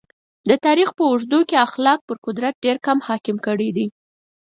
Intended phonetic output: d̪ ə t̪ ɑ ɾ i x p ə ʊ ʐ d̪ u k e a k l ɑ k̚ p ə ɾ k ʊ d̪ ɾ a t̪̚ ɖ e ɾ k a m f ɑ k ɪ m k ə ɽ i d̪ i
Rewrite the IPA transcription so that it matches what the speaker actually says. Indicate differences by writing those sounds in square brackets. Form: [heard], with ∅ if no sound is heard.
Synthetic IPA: d̪ ə t̪ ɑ ɾ i x p ə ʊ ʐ d̪ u k e a [x] l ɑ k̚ p ə ɾ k ʊ d̪ ɾ a t̪̚ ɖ e ɾ k a m [h] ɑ k ɪ m k ə ɽ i d̪ i